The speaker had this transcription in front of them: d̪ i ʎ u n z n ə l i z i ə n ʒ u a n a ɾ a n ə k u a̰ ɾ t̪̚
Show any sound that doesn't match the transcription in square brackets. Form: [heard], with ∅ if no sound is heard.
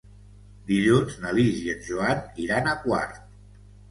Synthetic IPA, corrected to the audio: d̪ i ʎ u n z n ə l i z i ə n ʒ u a n [i] ɾ a n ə k [w] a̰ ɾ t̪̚